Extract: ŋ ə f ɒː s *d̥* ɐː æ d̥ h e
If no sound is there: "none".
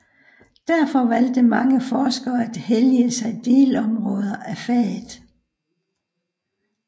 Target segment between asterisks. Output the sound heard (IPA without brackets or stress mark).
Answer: ɡ̥